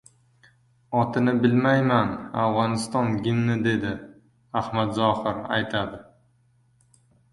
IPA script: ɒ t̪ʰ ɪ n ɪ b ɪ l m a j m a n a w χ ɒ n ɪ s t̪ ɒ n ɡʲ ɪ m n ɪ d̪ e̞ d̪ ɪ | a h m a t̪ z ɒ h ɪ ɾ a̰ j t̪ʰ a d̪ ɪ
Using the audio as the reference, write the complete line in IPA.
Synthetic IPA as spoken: ɒ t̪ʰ ɪ n ɪ b ɪ l m a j m a n a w ʁ ɒ n ɪ s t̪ ɒ n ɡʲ ɪ m n ɪ d̪ e̞ d̪ ɪ | a h m a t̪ z ɒ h ɪ ɾ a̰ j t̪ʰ a d̪ ɪ